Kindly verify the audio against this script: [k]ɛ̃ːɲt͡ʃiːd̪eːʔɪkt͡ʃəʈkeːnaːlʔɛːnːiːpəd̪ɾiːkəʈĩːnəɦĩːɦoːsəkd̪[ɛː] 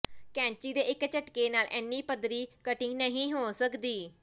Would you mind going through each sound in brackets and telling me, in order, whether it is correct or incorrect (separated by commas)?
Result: correct, incorrect